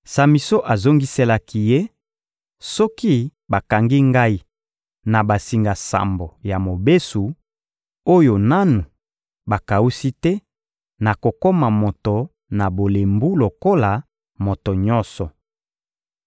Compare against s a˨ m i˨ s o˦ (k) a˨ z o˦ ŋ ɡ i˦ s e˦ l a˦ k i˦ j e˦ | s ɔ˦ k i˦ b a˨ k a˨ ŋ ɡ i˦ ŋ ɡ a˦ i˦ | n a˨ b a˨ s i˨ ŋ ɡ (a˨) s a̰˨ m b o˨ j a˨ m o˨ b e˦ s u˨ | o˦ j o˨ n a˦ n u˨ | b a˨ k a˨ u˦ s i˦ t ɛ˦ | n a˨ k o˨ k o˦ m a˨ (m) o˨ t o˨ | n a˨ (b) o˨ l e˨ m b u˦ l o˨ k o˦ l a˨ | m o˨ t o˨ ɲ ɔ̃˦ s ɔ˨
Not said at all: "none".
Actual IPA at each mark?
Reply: ʔ, a˨, m, b

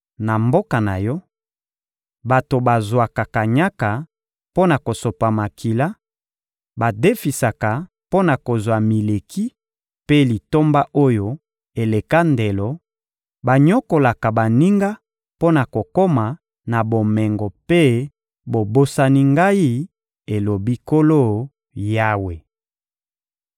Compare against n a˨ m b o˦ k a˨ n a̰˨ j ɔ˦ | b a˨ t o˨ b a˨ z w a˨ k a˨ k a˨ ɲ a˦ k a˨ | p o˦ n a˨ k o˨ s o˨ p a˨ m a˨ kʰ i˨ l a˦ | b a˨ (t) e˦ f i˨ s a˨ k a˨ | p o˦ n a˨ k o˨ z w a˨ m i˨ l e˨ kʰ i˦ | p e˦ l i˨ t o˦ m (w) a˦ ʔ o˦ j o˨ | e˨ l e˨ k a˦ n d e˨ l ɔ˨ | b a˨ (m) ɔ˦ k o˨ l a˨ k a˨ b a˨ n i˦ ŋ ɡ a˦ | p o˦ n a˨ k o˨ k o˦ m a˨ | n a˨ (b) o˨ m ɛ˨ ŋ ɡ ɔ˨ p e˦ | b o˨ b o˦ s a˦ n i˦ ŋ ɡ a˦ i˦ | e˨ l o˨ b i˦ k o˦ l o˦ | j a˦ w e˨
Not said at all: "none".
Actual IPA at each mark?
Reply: d, b, ɲ, b

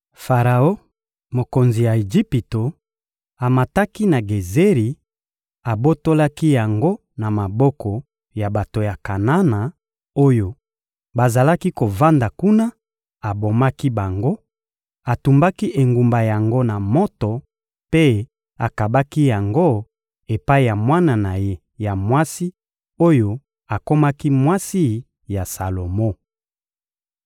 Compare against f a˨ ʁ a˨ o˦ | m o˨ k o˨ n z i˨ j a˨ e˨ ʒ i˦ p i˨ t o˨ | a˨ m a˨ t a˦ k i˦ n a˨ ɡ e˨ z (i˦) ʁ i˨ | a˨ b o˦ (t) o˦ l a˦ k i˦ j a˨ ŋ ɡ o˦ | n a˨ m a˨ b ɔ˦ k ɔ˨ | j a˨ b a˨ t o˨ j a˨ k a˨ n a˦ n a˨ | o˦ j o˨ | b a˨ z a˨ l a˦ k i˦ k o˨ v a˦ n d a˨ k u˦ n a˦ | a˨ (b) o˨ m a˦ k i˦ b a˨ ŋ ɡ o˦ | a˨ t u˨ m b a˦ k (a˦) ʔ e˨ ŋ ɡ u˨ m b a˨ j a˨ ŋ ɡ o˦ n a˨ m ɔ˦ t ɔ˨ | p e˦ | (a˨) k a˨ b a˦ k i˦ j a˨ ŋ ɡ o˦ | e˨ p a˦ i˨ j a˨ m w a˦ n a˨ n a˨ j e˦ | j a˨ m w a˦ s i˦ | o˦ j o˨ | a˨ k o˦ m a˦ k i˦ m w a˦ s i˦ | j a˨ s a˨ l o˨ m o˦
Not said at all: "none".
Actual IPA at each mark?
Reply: e˦, t, b, i˦, a˨

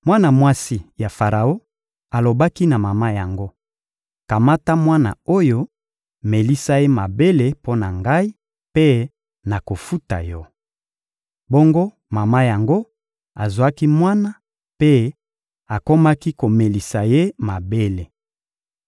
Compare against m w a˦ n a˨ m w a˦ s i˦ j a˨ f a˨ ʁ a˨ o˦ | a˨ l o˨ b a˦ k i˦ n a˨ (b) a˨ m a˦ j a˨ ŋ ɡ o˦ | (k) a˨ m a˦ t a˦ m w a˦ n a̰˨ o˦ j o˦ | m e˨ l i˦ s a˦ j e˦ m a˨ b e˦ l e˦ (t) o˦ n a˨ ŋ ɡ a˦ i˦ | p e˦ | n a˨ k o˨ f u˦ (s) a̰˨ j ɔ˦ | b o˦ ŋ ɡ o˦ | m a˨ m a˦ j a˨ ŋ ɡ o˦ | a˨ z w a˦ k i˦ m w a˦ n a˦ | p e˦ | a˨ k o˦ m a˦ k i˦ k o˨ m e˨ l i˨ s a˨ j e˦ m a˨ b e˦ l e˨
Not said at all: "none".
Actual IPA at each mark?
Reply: m, k, p, t

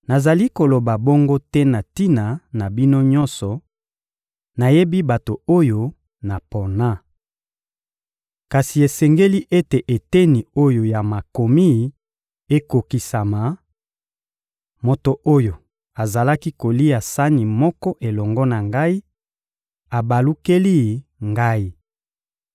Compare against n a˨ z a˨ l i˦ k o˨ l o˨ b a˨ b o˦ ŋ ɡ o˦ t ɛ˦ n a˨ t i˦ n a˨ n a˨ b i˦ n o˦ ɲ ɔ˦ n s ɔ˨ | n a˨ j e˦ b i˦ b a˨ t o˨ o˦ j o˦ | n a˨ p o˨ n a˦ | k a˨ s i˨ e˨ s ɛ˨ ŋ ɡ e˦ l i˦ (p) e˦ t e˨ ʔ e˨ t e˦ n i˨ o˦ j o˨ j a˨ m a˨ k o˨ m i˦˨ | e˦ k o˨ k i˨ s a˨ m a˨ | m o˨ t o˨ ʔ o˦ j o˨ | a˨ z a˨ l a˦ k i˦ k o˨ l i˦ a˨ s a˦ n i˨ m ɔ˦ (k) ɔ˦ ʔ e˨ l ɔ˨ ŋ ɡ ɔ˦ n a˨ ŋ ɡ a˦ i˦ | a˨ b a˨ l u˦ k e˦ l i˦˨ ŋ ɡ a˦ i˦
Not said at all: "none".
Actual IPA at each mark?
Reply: ʔ, k

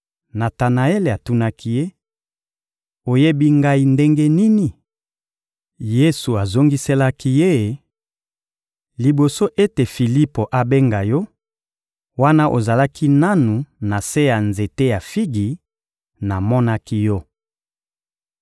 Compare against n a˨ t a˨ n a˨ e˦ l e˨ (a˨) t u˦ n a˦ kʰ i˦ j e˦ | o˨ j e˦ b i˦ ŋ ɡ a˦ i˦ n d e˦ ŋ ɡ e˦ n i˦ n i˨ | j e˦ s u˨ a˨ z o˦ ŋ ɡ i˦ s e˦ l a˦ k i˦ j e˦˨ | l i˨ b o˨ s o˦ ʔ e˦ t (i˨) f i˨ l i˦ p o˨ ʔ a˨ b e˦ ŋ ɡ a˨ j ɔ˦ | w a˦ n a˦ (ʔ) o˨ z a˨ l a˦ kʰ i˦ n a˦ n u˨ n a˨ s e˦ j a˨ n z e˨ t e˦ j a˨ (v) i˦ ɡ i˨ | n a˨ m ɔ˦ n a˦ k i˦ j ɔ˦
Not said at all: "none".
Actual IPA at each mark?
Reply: a˨, e˨, ʔ, f

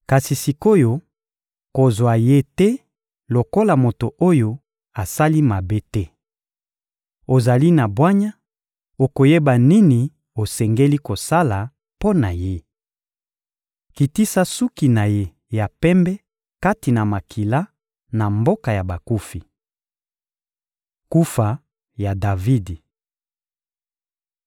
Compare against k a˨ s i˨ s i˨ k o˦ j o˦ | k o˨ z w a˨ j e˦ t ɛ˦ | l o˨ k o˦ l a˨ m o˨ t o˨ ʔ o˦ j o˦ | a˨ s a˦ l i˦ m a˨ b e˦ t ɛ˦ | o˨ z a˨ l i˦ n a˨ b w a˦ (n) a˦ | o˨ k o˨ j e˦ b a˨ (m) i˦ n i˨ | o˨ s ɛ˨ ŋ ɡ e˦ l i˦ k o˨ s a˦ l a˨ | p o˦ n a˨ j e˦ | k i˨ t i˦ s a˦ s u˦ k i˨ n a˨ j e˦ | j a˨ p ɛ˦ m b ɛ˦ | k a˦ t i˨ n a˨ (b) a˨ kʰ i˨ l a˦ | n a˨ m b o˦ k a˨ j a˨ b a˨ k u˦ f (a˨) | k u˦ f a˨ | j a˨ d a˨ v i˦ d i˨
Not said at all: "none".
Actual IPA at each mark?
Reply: ɲ, n, m, i˨

